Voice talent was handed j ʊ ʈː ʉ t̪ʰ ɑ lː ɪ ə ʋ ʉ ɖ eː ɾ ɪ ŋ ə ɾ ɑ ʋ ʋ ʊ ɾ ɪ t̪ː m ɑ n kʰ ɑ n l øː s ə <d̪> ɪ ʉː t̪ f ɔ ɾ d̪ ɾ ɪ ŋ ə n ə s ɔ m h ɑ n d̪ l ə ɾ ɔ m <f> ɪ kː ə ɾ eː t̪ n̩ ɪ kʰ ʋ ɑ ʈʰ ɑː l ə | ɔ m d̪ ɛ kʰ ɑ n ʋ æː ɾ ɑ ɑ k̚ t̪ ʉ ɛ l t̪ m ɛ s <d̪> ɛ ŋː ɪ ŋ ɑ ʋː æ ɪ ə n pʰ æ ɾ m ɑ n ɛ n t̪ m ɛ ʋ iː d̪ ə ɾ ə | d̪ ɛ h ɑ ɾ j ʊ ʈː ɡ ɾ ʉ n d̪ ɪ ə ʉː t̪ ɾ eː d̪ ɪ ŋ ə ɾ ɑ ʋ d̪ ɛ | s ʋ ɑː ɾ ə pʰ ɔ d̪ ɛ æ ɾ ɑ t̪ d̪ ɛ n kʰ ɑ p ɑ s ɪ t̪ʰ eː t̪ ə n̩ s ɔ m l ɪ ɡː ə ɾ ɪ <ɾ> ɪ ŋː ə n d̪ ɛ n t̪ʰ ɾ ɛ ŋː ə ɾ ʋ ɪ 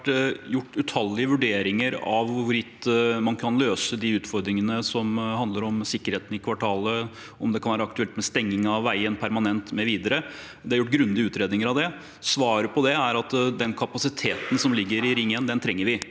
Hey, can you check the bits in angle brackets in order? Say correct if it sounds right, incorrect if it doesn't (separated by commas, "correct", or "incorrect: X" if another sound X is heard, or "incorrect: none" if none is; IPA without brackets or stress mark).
correct, incorrect: s, incorrect: t̪, correct